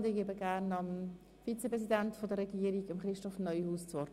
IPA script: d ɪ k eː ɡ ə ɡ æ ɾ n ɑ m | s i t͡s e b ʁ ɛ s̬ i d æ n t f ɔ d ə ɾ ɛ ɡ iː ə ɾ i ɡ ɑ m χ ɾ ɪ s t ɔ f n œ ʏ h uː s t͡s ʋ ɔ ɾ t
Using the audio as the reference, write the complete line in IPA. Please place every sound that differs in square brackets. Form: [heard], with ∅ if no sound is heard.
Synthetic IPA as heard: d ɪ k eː [b] ə ɡ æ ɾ n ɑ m | [f] i t͡s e [p] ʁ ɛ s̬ i d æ n t f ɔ d ə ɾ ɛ ɡ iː ə ɾ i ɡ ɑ m χ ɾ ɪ [ʃ] t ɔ f n œ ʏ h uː s t͡s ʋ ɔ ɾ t